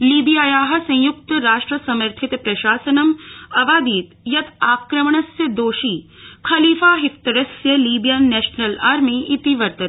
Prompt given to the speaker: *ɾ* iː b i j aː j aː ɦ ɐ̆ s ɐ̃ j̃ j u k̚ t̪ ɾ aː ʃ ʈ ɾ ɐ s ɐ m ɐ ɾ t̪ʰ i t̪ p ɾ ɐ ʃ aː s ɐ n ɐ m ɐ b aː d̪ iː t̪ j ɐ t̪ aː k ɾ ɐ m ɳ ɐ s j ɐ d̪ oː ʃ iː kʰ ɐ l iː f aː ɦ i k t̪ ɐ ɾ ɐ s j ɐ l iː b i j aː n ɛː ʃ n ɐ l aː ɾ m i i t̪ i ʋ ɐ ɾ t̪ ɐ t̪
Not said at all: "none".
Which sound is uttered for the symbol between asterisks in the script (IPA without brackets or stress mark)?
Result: l